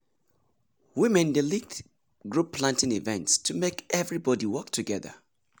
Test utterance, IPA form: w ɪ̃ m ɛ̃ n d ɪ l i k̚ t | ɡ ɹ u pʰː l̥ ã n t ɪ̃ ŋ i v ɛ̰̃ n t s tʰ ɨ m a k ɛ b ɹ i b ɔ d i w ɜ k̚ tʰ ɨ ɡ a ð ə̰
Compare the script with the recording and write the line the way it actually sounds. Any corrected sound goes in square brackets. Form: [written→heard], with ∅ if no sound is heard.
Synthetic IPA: w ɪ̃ m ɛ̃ n d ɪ l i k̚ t | ɡ ɹ u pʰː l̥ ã n t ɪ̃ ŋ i v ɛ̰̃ n t s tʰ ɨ m [a→e] k ɛ [b→v] ɹ i b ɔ d i w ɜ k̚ tʰ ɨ ɡ [a→ɛ] ð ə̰